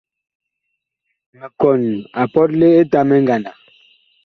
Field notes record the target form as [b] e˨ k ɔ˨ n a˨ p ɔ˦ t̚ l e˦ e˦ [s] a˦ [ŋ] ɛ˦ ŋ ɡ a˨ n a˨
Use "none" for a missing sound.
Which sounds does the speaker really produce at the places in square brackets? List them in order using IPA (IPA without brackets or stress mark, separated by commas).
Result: m, t, m